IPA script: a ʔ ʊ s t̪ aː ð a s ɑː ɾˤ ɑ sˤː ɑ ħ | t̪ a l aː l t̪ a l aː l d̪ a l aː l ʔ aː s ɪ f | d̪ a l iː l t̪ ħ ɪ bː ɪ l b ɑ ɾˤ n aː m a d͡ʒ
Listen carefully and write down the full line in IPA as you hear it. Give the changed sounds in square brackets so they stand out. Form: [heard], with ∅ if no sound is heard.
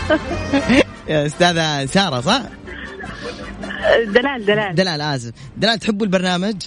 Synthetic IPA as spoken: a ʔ ʊ s t̪ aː ð a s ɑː ɾˤ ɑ [sˤ] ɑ ħ | [d̪] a l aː l [d̪] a l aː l d̪ a l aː l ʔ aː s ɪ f | d̪ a l [aː] l t̪ ħ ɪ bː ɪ l b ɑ ɾˤ n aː m a d͡ʒ